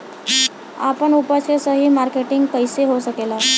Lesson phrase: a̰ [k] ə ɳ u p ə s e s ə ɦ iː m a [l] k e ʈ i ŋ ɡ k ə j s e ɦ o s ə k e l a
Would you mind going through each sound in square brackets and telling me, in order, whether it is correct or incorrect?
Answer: incorrect, incorrect

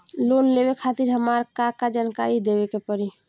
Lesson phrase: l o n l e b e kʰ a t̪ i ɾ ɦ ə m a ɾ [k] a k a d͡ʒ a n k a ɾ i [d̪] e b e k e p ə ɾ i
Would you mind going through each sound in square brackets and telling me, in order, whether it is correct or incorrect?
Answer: correct, correct

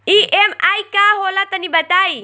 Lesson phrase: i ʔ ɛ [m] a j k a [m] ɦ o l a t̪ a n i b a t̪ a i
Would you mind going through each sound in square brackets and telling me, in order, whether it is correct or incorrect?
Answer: correct, incorrect

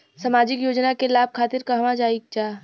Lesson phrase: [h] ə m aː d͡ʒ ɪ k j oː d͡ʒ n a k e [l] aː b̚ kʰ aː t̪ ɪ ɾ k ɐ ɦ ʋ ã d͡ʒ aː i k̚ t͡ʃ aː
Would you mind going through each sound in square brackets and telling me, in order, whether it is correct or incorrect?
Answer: incorrect, correct

